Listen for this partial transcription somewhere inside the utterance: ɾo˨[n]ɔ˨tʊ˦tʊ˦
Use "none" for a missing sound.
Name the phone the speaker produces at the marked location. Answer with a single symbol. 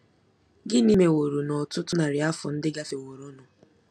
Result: n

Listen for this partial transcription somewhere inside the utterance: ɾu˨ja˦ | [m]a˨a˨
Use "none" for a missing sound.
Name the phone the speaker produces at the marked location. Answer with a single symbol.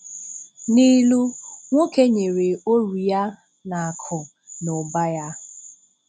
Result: n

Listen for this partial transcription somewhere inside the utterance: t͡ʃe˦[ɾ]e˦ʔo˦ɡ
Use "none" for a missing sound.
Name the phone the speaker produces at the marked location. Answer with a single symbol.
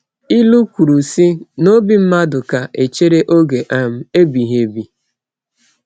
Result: ɾ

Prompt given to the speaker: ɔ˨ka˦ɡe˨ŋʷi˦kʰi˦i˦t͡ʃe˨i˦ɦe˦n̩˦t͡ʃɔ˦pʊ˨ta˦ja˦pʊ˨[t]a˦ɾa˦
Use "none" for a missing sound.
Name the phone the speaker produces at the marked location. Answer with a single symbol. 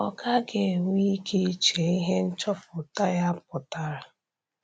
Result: t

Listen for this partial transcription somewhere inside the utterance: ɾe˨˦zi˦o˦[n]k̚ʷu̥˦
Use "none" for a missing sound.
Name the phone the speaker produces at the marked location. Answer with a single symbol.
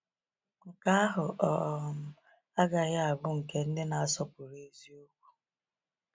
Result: none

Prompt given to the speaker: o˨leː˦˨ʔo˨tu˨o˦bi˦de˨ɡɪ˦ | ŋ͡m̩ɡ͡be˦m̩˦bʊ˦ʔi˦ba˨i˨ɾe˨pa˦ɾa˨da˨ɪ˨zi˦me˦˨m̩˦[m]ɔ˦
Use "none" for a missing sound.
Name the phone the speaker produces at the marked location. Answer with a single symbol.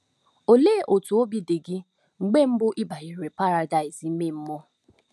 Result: m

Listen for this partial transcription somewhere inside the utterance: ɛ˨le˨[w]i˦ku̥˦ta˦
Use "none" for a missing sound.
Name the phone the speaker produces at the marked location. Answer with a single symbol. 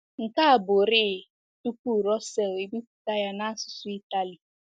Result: b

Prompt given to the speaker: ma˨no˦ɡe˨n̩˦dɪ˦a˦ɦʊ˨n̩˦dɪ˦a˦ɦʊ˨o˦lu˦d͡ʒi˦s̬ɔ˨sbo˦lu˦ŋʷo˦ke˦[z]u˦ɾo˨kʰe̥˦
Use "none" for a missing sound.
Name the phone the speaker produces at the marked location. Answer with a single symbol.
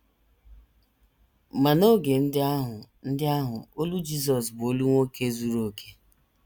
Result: z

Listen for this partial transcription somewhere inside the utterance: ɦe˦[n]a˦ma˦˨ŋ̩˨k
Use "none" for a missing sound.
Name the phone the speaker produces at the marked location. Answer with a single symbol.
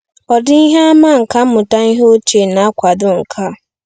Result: none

